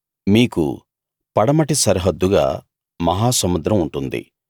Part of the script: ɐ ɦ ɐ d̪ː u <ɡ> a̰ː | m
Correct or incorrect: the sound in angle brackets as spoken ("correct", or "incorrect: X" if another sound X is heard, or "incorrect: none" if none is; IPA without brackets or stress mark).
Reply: correct